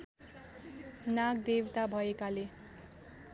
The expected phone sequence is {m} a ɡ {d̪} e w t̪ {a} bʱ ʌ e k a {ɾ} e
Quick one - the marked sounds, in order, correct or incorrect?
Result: incorrect: n, correct, correct, incorrect: l

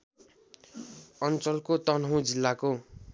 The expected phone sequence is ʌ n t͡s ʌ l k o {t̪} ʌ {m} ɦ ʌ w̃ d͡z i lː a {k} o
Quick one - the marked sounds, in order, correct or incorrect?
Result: correct, incorrect: n, correct

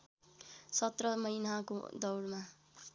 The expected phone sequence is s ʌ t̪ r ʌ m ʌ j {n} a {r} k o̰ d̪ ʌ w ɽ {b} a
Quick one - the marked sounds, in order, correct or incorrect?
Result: correct, incorrect: none, incorrect: m

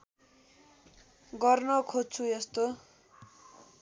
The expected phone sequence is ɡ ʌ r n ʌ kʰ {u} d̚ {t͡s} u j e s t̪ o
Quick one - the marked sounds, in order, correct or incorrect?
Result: incorrect: o, incorrect: t͡sʰ

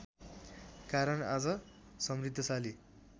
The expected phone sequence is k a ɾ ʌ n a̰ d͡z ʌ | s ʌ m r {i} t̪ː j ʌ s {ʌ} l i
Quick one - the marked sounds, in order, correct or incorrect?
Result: correct, incorrect: a

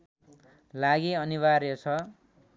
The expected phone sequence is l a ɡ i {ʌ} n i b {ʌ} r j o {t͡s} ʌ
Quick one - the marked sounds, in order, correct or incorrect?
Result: correct, incorrect: a, incorrect: t͡sʰ

